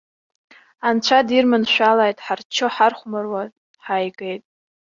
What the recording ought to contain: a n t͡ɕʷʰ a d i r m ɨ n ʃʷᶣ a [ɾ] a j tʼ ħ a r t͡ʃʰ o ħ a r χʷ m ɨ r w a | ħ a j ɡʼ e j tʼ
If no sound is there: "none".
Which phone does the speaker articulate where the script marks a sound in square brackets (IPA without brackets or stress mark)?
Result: l